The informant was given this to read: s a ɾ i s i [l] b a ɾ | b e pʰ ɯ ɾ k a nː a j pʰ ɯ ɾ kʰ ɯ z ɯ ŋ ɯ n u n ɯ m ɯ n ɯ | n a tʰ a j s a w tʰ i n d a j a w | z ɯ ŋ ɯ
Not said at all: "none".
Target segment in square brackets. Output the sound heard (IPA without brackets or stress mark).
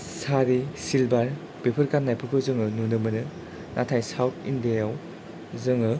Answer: l